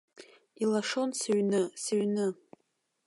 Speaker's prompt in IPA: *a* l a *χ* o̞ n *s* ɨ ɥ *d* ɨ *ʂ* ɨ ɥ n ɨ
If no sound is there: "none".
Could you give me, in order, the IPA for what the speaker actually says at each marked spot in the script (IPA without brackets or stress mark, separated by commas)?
i, ʂ, s, n, s